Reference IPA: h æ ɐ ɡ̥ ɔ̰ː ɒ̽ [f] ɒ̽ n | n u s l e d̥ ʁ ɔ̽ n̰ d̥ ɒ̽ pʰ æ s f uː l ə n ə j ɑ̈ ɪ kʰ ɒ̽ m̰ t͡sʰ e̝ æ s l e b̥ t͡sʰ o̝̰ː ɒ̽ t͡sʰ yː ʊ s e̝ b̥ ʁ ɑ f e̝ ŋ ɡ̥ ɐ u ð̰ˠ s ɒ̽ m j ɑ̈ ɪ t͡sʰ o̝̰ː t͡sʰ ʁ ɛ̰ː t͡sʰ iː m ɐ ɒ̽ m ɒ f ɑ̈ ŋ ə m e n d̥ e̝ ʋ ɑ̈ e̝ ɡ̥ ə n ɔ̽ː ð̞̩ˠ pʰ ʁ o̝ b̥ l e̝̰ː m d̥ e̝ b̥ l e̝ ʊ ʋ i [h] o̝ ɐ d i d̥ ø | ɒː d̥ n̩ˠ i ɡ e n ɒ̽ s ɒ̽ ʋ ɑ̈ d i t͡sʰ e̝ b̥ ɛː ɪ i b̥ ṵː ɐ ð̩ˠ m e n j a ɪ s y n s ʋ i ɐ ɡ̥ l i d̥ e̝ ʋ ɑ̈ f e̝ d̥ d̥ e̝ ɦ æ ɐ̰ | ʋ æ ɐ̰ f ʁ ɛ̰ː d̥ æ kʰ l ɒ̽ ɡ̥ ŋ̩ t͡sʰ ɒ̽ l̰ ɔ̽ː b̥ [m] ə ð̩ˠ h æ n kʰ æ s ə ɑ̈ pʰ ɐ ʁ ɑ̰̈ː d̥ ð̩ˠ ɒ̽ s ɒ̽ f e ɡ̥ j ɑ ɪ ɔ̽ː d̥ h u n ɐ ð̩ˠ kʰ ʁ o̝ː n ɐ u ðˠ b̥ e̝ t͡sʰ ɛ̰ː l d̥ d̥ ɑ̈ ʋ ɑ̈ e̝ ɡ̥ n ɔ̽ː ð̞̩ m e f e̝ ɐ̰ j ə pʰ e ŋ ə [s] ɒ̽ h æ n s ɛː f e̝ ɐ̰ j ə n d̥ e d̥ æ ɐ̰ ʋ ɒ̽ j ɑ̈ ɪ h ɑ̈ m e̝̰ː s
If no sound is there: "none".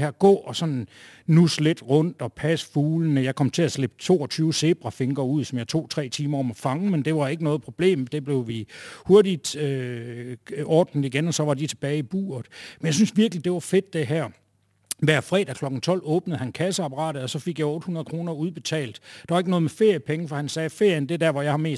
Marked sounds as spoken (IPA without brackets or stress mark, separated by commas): s, h, n, f